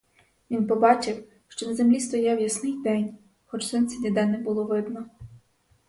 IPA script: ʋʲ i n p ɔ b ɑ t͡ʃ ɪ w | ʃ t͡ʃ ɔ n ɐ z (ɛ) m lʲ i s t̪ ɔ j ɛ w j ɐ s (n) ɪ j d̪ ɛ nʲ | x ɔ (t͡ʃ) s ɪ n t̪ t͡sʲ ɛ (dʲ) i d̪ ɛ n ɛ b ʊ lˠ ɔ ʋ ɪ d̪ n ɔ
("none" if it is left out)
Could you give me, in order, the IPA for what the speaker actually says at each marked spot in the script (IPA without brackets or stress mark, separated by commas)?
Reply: e, n, t͡ʃ, dʲ